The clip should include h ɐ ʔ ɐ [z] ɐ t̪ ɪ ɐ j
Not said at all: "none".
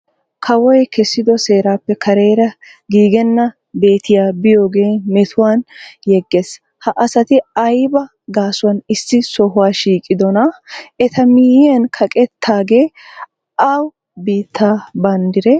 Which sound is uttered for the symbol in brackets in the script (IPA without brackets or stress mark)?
s